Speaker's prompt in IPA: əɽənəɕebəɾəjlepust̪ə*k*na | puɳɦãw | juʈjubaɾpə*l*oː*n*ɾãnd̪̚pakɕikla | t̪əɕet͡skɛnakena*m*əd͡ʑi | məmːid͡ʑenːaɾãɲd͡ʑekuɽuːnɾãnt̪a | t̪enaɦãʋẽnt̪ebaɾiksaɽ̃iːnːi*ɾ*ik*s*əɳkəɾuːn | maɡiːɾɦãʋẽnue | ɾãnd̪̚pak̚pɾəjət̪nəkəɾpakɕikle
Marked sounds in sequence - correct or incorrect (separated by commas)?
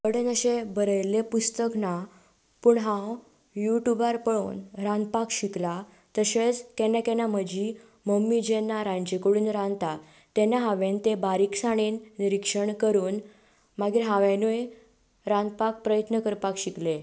correct, incorrect, correct, correct, correct, incorrect